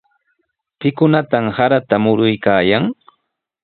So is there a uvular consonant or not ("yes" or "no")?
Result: no